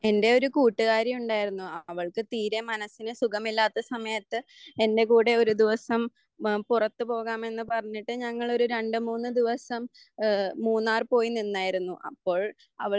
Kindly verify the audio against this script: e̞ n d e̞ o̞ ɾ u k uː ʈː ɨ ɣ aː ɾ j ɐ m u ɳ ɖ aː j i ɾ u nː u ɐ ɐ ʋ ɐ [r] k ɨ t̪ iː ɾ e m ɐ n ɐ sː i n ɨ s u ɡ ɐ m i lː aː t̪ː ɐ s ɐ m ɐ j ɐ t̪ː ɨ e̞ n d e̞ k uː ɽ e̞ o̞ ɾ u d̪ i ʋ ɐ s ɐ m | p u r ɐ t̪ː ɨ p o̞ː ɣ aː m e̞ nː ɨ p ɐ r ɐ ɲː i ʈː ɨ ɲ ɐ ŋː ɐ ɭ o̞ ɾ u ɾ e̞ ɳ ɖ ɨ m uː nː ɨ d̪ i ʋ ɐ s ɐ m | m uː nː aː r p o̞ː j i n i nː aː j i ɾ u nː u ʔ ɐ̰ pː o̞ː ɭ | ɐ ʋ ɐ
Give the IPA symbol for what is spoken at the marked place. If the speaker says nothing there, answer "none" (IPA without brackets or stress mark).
ɭ